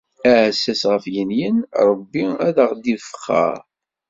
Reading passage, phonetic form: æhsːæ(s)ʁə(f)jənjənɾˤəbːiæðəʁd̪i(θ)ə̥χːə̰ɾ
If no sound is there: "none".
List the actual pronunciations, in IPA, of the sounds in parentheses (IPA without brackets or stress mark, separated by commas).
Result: s, f, f